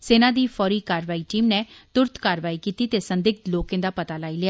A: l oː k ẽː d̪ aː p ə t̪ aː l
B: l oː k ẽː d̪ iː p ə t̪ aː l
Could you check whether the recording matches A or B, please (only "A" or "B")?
A